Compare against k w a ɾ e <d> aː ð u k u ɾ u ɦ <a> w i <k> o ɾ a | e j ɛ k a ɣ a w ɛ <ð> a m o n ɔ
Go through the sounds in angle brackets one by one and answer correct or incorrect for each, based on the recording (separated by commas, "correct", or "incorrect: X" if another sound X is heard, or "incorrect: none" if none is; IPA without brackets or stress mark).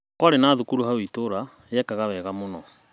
incorrect: n, correct, incorrect: t, incorrect: ɣ